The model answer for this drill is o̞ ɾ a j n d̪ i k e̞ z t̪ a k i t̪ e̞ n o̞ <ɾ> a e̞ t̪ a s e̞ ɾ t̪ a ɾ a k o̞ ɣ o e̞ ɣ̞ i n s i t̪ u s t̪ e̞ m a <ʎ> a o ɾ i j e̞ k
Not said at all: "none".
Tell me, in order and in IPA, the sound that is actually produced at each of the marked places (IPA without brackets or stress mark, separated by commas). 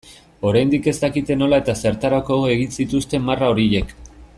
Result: l, r